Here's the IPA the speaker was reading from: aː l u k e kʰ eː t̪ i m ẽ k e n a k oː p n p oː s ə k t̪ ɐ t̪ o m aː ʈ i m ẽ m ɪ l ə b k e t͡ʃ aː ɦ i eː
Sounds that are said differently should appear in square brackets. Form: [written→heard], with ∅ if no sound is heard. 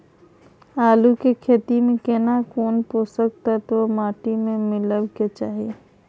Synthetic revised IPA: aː l u k e kʰ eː t̪ i m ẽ k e n a k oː [p→∅] n p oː s ə k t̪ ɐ t̪ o m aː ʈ i m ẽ m ɪ l ə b k e t͡ʃ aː ɦ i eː